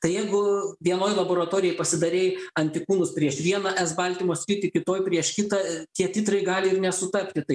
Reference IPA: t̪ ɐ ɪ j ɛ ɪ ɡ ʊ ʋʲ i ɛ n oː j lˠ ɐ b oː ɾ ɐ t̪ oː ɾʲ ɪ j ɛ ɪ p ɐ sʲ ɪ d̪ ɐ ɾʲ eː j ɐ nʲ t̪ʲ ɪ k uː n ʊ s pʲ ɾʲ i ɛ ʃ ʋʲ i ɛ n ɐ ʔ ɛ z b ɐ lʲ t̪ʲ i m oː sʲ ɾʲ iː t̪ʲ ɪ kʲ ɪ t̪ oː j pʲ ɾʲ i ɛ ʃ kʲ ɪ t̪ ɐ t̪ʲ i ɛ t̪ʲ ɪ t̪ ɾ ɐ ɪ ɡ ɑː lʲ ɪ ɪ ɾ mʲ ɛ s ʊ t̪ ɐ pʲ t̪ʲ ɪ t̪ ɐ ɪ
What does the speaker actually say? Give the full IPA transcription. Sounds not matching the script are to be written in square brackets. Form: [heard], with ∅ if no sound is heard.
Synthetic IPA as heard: t̪ ɐ ɪ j ɛ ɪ ɡ ʊ ʋʲ i ɛ n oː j lˠ ɐ b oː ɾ ɐ t̪ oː ɾʲ ɪ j ɛ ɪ p ɐ sʲ ɪ d̪ ɐ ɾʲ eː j ɐ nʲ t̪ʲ ɪ k uː n ʊ s pʲ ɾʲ i ɛ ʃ ʋʲ i ɛ n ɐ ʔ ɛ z b ɐ lʲ t̪ʲ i m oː sʲ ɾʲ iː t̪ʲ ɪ kʲ ɪ t̪ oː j pʲ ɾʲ i ɛ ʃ kʲ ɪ t̪ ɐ t̪ʲ i ɛ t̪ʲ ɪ t̪ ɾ ɐ ɪ ɡ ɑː lʲ ɪ ɪ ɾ [nʲ] ɛ s ʊ t̪ ɐ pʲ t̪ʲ ɪ t̪ ɐ ɪ